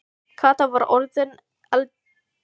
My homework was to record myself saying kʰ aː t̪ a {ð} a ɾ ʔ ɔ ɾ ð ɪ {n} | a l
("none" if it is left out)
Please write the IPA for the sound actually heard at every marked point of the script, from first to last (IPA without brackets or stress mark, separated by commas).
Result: v, n